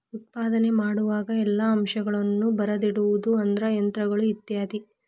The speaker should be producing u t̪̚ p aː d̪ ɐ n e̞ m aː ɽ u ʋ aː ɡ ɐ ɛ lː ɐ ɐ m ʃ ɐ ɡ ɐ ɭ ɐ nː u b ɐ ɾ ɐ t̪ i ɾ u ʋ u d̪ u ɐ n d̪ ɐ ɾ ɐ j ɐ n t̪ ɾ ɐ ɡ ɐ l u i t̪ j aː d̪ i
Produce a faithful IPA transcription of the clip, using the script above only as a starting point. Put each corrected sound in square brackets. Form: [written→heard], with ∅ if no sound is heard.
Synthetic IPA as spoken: u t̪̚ p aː d̪ ɐ n e̞ m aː ɽ u ʋ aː ɡ ɐ ɛ lː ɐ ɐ m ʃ ɐ ɡ ɐ ɭ ɐ nː u b ɐ ɾ ɐ [t̪→d̪] i [ɾ→ɽ] u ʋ u d̪ u ɐ n d̪ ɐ ɾ ɐ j ɐ n t̪ ɾ ɐ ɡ ɐ [l→ɭ] u i t̪ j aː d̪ i